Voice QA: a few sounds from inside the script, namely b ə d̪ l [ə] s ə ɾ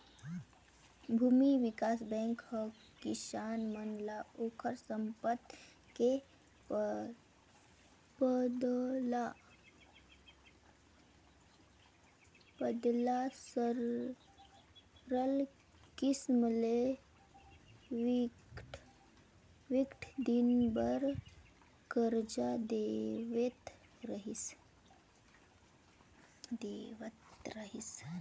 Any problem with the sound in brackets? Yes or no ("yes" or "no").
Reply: yes